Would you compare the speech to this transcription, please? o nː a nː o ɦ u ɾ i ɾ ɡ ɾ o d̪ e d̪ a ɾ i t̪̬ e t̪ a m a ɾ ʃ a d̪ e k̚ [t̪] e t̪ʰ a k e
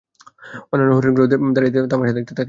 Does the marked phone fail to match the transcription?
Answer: no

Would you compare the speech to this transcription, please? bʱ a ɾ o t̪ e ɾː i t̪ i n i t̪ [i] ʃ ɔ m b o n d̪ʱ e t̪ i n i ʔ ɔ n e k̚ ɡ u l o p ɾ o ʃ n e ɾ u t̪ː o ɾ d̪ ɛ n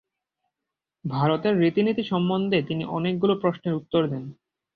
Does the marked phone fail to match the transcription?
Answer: no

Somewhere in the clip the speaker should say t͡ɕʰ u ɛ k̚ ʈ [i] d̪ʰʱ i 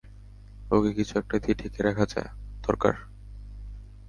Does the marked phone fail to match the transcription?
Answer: yes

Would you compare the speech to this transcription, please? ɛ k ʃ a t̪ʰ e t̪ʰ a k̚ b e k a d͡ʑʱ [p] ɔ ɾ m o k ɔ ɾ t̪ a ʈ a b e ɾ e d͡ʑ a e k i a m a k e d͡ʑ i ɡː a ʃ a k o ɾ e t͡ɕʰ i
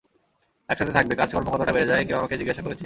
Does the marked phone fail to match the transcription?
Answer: yes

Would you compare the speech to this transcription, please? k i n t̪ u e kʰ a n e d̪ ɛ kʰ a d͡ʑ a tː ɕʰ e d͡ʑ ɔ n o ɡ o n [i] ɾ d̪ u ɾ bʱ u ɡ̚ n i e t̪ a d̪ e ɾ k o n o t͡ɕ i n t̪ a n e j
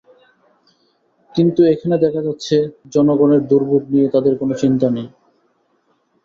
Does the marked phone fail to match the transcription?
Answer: yes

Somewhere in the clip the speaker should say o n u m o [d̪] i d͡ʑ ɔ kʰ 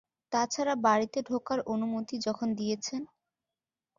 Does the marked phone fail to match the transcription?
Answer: yes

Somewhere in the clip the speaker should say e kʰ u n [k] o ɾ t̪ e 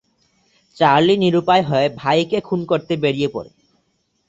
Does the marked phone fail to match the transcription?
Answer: no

